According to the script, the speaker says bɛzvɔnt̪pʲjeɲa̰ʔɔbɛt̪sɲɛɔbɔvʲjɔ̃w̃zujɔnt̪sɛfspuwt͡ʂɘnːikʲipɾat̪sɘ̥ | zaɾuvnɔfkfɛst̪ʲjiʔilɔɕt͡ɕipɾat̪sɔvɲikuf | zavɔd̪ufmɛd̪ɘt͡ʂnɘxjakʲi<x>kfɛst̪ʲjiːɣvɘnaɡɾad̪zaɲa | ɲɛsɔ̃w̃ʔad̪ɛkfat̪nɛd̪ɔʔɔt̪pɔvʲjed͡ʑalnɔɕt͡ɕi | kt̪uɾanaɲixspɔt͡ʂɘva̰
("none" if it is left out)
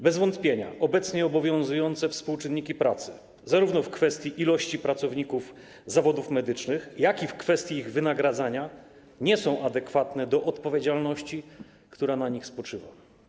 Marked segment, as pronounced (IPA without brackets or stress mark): f